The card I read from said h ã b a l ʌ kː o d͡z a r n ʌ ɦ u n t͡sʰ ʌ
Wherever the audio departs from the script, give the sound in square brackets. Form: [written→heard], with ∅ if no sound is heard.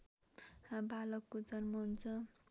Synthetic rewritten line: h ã b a l ʌ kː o d͡z [a→ʌ] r [n→m] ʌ ɦ u n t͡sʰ ʌ

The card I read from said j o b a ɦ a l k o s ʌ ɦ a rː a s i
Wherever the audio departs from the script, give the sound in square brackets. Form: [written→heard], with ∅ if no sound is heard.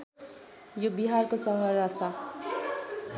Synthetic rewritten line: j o b [a→i] ɦ a [l→r] k o s ʌ ɦ [a→ʌ] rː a s [i→a]

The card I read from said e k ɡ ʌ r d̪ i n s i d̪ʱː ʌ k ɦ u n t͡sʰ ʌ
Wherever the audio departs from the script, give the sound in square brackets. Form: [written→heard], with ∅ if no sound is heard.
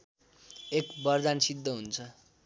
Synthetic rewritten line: e k [ɡ→b] ʌ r d̪ [i→a] n s i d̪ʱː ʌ [k→∅] ɦ u n t͡sʰ ʌ

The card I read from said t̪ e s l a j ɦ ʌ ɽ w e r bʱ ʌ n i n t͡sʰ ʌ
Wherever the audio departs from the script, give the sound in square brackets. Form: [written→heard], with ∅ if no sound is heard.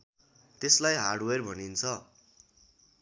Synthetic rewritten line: t̪ e s l a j ɦ [ʌ→a] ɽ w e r bʱ ʌ n i n t͡sʰ ʌ

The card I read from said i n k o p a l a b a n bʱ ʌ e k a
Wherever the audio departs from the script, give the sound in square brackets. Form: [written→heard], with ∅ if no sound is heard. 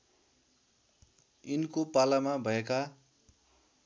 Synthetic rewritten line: i n k o p a l a [b→m] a [n→∅] bʱ ʌ e k a

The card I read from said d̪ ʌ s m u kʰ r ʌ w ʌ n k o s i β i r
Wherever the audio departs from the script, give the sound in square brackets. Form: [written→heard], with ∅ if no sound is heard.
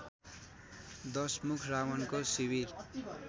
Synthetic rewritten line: d̪ ʌ s m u kʰ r [ʌ→a] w ʌ n k o s i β i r

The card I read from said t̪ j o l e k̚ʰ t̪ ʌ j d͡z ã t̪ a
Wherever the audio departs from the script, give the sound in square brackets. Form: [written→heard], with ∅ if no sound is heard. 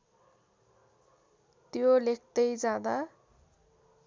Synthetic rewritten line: t̪ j o l e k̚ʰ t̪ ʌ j d͡z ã [t̪→d̪] a

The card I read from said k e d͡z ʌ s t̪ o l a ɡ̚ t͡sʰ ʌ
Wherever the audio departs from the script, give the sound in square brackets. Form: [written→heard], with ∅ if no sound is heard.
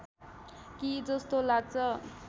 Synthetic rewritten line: k [e→i] d͡z ʌ s t̪ o l a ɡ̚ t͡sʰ ʌ

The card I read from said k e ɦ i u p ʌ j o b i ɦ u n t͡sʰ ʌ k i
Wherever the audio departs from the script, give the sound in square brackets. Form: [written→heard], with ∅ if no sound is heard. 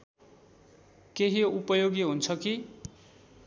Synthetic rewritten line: k e ɦ i u p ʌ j o [b→ɡ] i ɦ u n t͡sʰ ʌ k i

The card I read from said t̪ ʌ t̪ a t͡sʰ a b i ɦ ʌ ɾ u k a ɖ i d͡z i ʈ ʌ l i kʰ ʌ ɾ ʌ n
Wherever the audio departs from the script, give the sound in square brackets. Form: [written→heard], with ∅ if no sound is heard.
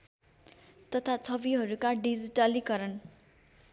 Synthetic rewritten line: t̪ ʌ [t̪→t̪ʰ] a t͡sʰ [a→ʌ] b i ɦ ʌ ɾ u k a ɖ i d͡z i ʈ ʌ l i [kʰ→k] ʌ ɾ ʌ n

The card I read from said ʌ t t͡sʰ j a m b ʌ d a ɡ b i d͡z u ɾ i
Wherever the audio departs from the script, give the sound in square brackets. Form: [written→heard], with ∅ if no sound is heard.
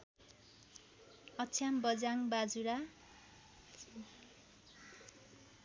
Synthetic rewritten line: ʌ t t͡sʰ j a m b ʌ [d→d͡z] a [ɡ→ŋ] b [i→a] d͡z u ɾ [i→a]

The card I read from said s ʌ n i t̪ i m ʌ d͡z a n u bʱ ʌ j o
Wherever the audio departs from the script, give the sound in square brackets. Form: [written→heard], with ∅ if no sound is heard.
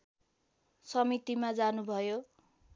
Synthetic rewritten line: s ʌ [n→m] i t̪ i m [ʌ→a] d͡z a n u bʱ ʌ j o

